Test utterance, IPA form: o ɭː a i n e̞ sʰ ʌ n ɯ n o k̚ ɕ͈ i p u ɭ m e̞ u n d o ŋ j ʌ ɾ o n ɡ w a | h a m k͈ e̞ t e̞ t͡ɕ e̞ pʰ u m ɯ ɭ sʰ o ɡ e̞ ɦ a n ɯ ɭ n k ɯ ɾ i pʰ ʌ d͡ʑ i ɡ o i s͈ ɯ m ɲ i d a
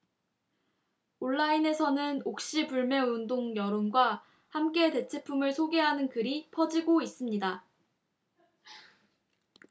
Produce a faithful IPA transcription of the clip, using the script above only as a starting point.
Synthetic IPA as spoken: o ɭː a i n e̞ sʰ ʌ n ɯ n o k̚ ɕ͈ i p u ɭ m e̞ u n d o ŋ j ʌ ɾ o n ɡ w a | h a m k͈ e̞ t e̞ t͡ɕʰ e̞ pʰ u m ɯ ɭ sʰ o ɡ e̞ ɦ a n ɯ n k ɯ ɾ i pʰ ʌ d͡ʑ i ɡ o i s͈ ɯ m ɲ i d a